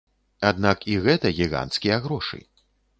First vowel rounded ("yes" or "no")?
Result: no